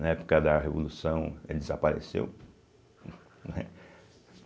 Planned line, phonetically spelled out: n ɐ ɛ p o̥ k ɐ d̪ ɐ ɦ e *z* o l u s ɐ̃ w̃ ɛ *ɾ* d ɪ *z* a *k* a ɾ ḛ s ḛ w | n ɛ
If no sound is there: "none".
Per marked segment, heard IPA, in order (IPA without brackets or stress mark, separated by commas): v, none, z, p